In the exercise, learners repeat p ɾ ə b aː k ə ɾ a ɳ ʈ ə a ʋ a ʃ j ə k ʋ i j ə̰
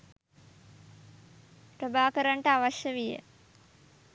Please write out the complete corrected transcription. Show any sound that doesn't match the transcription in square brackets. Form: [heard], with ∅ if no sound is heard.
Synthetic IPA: p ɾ ə b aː k ə ɾ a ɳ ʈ ə a ʋ a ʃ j ə [∅] ʋ i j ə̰